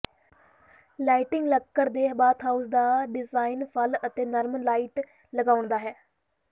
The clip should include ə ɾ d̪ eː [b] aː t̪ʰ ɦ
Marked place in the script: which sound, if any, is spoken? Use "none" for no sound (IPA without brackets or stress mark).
b